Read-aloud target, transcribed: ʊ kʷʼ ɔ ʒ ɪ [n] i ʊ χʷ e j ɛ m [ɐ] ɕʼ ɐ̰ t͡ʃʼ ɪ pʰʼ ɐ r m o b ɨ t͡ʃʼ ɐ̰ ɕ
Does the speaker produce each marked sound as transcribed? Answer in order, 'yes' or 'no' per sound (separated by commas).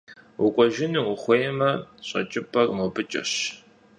yes, yes